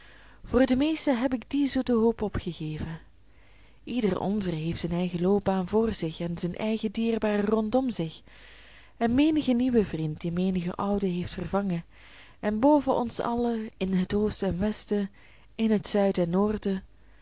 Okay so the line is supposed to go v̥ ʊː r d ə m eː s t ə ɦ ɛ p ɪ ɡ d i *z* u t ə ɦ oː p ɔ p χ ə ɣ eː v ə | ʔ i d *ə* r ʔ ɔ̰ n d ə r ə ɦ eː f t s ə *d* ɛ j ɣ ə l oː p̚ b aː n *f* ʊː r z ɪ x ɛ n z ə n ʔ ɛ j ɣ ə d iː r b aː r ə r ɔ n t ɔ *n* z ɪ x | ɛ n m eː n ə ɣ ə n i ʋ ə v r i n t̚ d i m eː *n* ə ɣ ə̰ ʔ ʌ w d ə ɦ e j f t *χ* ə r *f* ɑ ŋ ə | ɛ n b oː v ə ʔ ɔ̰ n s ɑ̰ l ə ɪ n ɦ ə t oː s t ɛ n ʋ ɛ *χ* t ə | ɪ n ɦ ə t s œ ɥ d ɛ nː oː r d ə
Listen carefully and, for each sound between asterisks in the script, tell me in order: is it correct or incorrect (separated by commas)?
correct, correct, incorrect, incorrect, incorrect, correct, incorrect, incorrect, incorrect